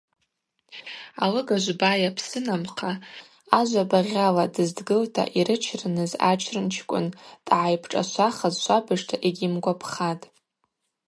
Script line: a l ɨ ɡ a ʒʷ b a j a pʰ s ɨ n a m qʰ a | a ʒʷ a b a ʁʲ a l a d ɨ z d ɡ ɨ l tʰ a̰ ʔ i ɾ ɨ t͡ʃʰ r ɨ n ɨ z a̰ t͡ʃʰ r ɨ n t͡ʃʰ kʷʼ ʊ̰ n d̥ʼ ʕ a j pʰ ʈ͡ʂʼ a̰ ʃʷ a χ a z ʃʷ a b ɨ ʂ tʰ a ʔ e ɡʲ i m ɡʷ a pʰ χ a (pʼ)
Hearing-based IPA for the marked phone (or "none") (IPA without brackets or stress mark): tʼ